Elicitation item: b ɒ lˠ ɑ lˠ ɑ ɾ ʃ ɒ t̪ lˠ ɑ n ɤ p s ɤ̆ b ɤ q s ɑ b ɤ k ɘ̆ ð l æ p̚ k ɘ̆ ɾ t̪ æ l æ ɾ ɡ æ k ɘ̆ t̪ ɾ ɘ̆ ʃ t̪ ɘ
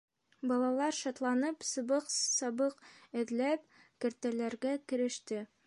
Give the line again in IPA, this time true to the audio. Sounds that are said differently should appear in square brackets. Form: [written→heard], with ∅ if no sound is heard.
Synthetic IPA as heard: b ɒ lˠ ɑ lˠ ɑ ɾ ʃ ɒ t̪ lˠ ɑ n ɤ p s ɤ̆ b ɤ q s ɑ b ɤ [k→q] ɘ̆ ð l æ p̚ k ɘ̆ ɾ t̪ æ l æ ɾ ɡ æ k ɘ̆ [t̪→∅] ɾ ɘ̆ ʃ t̪ ɘ